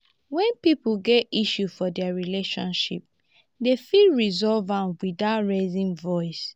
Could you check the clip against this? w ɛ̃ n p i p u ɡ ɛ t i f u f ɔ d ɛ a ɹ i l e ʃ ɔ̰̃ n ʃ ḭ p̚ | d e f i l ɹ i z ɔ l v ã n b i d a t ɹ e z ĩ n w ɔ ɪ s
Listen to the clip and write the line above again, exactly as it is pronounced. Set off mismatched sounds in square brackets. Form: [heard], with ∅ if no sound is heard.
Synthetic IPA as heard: w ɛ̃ n p i p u ɡ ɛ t i [ʃ] u f ɔ d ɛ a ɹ i l e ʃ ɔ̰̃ n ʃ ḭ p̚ | d e f i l ɹ i z ɔ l v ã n [w] i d a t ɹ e z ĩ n [v] ɔ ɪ s